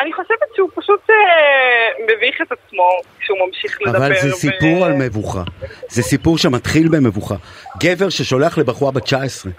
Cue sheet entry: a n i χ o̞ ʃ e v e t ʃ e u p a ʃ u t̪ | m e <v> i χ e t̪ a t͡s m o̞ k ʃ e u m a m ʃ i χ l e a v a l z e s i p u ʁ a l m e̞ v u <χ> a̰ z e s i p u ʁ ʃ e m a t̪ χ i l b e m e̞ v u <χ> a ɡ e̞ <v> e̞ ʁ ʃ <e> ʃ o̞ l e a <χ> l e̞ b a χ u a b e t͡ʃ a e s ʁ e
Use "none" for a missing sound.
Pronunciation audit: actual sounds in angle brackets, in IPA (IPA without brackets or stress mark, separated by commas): v, χ, χ, v, e, χ